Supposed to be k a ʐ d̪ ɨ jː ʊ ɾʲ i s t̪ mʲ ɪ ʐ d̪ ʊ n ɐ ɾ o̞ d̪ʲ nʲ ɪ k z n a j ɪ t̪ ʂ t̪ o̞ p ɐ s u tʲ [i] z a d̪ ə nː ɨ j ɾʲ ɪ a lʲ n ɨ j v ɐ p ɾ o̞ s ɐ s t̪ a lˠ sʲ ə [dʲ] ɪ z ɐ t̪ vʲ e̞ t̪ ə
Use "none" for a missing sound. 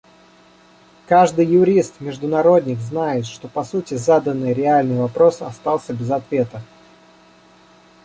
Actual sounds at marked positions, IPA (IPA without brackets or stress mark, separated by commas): ɪ, bʲ